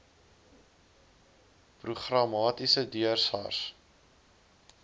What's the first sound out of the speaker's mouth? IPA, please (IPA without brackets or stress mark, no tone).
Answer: p